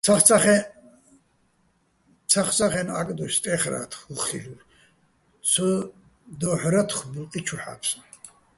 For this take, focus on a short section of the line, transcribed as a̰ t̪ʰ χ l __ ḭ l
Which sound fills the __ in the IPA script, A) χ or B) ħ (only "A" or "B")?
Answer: A